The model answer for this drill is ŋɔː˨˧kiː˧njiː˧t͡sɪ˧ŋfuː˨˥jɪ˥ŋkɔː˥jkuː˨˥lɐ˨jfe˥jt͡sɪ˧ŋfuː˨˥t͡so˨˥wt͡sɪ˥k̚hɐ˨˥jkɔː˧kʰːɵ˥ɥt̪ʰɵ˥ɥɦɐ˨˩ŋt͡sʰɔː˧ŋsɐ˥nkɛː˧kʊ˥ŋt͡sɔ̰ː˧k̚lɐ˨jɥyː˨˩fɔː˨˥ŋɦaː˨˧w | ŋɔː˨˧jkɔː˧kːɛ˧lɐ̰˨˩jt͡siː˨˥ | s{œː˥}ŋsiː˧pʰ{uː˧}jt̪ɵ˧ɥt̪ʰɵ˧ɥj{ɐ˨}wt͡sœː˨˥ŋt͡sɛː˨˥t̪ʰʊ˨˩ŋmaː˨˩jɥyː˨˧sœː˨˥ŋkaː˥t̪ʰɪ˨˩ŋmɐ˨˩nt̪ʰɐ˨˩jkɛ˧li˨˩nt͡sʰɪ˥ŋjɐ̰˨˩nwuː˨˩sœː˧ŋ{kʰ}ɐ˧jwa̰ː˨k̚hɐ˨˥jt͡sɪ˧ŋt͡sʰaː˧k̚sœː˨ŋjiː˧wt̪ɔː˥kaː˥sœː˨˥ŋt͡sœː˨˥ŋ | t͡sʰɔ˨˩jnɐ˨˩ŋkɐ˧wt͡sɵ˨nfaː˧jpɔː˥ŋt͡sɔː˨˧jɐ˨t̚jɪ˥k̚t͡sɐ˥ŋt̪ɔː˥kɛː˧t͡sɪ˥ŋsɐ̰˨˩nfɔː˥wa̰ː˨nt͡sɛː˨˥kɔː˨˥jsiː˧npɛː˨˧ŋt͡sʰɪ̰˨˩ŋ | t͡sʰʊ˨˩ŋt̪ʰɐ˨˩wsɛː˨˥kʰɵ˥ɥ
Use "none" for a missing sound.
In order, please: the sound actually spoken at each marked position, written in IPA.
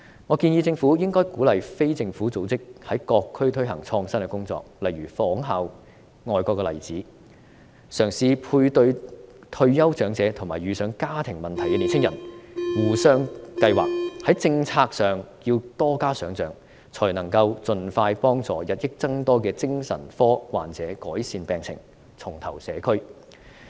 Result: œː˨˩, uː˧, ɐ˥, k

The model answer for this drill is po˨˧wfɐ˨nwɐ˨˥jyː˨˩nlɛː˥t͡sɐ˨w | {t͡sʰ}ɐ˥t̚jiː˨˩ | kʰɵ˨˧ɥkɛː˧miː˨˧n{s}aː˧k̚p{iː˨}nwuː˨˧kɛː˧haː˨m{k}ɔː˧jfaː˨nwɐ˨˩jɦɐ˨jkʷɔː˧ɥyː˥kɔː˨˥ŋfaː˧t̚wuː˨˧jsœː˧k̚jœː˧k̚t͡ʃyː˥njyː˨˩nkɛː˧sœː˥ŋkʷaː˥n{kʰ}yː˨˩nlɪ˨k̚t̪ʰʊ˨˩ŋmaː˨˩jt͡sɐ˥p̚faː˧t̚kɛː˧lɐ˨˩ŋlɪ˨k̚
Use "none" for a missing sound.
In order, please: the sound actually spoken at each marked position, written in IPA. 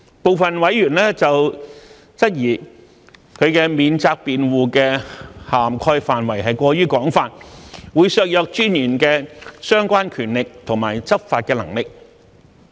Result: t͡s, t͡s, iː˨, kʰ, kʰ

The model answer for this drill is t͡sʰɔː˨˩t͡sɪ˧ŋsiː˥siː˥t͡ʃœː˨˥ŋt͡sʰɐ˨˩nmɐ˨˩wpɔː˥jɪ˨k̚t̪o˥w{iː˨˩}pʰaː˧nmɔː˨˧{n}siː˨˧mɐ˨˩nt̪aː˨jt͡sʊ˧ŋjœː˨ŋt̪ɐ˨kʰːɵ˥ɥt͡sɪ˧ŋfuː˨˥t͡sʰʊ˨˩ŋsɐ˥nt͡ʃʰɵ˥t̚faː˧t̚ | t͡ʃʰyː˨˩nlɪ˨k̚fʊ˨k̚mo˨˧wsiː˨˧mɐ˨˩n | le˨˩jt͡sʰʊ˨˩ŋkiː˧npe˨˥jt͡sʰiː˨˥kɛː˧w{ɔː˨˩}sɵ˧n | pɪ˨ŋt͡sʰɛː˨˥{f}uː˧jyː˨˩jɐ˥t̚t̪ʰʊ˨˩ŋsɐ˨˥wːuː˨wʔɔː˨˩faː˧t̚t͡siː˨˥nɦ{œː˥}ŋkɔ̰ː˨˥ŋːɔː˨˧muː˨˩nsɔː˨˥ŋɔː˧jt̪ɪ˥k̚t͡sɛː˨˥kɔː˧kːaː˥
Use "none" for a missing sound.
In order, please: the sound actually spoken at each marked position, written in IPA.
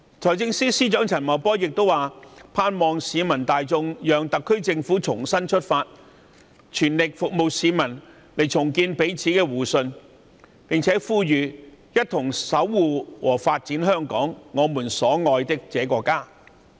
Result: aː˨˩, ŋ, uː˨˩, f, œː˥

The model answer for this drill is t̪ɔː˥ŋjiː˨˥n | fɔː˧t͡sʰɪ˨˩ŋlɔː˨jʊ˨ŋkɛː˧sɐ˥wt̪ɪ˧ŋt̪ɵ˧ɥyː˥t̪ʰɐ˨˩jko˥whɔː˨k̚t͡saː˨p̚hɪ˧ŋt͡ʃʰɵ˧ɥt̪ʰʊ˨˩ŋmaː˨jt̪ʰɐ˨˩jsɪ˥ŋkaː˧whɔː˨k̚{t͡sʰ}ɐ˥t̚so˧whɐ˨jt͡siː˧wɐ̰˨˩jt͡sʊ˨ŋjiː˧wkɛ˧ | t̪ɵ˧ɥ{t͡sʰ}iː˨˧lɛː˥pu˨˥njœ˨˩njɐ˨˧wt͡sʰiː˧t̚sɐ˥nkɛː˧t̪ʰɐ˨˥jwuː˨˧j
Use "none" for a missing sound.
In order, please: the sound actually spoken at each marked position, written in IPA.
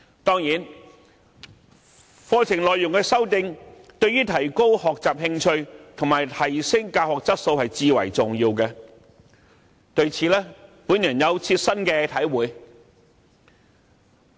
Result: t͡s, t͡sʰ

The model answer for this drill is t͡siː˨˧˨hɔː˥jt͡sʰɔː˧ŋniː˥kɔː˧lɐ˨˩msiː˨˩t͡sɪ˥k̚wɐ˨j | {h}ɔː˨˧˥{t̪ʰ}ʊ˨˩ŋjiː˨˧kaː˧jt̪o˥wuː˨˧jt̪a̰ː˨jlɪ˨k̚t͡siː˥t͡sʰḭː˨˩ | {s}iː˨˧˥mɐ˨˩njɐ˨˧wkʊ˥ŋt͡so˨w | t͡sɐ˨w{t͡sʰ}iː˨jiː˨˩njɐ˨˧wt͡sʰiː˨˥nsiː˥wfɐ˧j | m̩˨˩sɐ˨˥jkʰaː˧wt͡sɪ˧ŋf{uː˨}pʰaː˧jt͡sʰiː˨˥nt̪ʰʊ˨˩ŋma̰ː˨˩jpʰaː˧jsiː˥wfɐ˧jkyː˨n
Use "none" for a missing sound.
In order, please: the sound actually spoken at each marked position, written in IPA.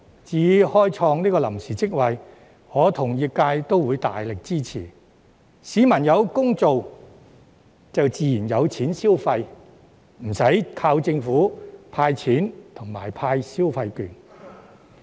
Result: h, t̪ʰ, s, t͡s, uː˨˥

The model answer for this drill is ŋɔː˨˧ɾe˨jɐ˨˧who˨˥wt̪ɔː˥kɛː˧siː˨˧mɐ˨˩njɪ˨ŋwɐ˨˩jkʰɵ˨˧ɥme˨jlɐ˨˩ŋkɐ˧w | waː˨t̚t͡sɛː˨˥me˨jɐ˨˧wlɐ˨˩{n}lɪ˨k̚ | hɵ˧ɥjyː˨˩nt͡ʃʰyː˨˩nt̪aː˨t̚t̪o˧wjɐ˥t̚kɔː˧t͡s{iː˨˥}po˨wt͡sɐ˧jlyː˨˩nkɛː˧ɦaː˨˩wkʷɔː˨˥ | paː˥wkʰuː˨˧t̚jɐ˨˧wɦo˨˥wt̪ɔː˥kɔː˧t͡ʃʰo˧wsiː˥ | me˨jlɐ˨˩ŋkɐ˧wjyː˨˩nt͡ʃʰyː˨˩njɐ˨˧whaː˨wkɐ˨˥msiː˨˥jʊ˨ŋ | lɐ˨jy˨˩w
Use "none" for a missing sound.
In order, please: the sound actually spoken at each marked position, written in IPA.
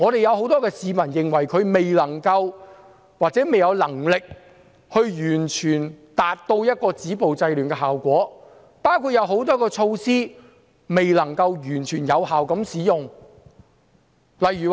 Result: ŋ, iː˨˥

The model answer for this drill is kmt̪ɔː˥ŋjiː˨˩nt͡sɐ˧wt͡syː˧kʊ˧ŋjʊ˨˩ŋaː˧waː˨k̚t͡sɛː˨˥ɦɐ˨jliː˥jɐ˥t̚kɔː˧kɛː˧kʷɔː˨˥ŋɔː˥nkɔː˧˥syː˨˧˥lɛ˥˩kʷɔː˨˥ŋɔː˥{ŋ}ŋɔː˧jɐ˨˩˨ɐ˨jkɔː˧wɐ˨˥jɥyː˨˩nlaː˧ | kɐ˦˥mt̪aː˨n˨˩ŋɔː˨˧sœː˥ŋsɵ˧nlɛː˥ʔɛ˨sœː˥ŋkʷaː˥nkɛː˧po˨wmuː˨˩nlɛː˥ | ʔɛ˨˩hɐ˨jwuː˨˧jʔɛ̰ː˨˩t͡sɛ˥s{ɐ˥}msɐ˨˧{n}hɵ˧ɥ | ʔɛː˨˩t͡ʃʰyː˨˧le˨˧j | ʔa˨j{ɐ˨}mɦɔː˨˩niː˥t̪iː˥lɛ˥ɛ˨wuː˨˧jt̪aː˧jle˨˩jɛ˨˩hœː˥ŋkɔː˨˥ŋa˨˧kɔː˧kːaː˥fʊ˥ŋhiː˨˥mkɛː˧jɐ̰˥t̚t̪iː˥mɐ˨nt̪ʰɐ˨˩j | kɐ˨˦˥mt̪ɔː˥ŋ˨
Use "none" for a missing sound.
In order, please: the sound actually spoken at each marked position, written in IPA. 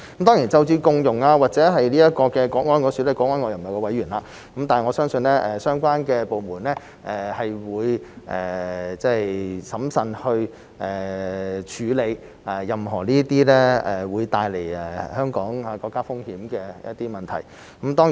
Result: n, ɐ˨˥, n, ɐ˨

